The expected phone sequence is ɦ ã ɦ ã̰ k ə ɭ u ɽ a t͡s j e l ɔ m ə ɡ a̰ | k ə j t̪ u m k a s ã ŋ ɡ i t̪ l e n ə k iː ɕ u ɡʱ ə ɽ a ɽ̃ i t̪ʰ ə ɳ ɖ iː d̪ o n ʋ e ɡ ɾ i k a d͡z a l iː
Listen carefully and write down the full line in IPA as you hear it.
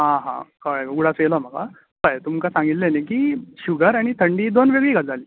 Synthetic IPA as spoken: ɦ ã ɦ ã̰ k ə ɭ u ɽ a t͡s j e l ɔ m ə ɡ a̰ | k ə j t̪ u m k a s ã ŋ ɡ i t̪ l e n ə k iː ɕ u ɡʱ ə ɾ a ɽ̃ i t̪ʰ ə ɳ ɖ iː d̪ o n ʋ e ɡ ɭ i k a d͡z a l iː